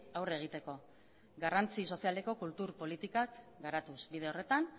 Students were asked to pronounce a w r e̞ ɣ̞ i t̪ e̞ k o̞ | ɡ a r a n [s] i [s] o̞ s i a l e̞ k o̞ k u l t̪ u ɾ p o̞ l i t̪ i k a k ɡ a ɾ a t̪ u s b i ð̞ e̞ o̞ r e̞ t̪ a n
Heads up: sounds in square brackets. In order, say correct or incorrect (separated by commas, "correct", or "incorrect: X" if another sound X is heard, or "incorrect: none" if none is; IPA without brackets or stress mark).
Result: incorrect: t͡s, correct